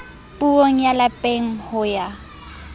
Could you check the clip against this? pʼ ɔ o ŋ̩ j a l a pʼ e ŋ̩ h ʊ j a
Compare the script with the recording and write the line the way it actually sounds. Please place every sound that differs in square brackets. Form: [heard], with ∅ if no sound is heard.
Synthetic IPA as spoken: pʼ [u] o ŋ̩ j a l a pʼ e ŋ̩ h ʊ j a